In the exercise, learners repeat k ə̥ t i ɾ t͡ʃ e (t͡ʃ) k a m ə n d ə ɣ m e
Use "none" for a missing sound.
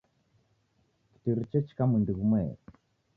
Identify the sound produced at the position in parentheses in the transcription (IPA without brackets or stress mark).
t͡ʃ